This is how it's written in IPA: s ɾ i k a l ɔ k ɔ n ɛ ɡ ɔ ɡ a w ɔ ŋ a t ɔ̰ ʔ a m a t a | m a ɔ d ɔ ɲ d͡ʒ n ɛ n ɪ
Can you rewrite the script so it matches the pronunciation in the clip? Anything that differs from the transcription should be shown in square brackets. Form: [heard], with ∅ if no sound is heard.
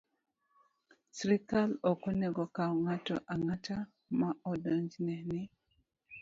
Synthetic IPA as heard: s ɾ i k a l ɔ k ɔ n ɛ ɡ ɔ [k] a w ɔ ŋ a t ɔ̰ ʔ a [ŋ] a t a | m a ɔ d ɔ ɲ d͡ʒ n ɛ n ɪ